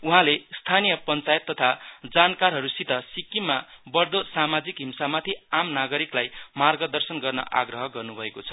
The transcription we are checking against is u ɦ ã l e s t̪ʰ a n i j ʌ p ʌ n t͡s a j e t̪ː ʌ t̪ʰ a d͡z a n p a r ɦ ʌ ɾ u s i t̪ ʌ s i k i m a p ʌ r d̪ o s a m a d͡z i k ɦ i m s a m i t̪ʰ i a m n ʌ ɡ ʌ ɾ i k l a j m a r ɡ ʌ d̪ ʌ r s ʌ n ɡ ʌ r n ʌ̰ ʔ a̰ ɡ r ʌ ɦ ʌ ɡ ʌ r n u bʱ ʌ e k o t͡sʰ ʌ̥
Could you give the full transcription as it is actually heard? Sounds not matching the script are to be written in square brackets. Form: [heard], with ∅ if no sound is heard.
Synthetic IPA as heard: u ɦ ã l e s t̪ʰ a n i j ʌ p ʌ n t͡s a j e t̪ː ʌ t̪ʰ a d͡z a n [k] a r ɦ ʌ ɾ u s i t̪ ʌ s i k i m a [b] ʌ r d̪ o s a m a d͡z i k ɦ i m s a m [a] t̪ʰ i a m n [a] ɡ ʌ ɾ i k l a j m a r ɡ ʌ d̪ ʌ r s ʌ n ɡ ʌ r n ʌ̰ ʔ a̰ ɡ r ʌ ɦ ʌ ɡ ʌ r n u bʱ ʌ e k o t͡sʰ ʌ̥